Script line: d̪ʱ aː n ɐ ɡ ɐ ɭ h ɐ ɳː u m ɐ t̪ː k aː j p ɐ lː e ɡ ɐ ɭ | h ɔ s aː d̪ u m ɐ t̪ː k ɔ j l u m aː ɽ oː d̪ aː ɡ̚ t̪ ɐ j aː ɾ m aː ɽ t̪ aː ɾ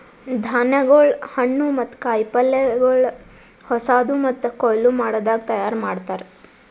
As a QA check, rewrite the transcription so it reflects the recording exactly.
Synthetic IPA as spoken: d̪ʱ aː n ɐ ɡ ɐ ɭ h ɐ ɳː u m ɐ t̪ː k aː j p ɐ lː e ɡ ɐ ɭ | h ɔ s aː d̪ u m ɐ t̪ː k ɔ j l u m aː ɽ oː d̪ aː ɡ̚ t̪ ɐ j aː ɾ m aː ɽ t̪ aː ɾ